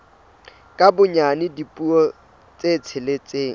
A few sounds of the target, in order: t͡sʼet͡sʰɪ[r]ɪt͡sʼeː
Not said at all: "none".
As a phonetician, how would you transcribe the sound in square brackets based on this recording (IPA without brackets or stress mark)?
l